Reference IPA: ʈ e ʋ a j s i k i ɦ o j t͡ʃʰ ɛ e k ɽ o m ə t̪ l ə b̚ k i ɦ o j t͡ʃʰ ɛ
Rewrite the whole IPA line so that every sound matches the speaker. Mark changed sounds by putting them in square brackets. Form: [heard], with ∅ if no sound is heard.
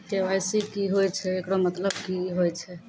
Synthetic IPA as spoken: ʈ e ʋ a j s i k i ɦ o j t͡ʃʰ ɛ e k ɽ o m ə t̪ l ə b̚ k i ɦ o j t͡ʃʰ ɛ